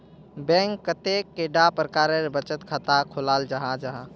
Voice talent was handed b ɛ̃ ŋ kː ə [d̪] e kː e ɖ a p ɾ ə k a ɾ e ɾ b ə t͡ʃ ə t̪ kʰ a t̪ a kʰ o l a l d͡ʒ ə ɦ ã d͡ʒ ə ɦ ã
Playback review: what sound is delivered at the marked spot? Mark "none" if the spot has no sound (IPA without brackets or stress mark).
t̪